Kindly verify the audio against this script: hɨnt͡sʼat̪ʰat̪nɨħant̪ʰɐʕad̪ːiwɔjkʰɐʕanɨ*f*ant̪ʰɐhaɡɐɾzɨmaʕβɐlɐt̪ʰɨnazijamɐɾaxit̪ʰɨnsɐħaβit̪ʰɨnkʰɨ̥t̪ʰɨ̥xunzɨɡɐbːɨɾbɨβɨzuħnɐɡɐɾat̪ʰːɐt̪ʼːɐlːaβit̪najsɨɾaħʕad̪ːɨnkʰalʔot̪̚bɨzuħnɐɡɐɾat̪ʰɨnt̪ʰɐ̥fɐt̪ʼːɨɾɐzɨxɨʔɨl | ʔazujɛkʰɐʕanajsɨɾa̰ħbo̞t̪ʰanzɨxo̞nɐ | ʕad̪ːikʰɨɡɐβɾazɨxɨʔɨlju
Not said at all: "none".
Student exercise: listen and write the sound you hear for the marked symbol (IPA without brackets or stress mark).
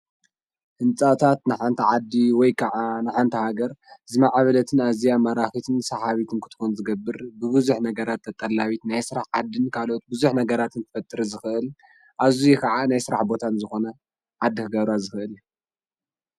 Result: ħ